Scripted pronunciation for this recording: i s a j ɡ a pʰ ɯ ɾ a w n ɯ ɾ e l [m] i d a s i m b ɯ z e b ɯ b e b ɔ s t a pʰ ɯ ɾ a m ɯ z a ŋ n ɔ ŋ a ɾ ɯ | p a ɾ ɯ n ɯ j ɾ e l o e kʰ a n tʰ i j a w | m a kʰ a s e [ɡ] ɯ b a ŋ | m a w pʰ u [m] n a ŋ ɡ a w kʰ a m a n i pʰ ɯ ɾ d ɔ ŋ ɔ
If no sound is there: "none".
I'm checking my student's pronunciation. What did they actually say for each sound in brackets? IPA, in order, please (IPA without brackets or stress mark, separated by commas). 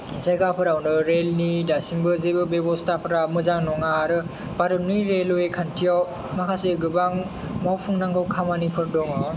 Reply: n, ɡ, ŋ